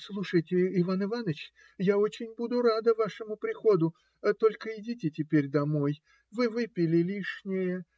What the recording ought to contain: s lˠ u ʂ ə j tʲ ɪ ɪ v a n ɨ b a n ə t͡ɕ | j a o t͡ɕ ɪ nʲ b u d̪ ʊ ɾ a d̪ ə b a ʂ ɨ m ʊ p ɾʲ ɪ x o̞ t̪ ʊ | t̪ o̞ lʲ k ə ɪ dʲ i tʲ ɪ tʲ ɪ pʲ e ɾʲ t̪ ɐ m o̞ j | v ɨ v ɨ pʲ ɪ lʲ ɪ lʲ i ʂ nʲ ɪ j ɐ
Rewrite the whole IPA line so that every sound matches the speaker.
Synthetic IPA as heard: s lˠ u ʂ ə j tʲ ɪ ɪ v a n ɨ v a n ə t͡ɕ | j a o t͡ɕ ɪ nʲ b u d̪ ʊ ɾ a d̪ ə v a ʂ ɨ m ʊ p ɾʲ ɪ x o̞ d̪ ʊ | t̪ o̞ lʲ k ə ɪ dʲ i tʲ ɪ tʲ ɪ pʲ e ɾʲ d̪ ɐ m o̞ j | v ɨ v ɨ pʲ ɪ lʲ ɪ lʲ i ʂ nʲ ɪ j ə